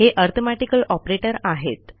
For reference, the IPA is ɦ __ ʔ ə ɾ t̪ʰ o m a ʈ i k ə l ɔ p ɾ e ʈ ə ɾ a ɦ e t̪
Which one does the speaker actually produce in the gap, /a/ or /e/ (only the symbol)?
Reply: e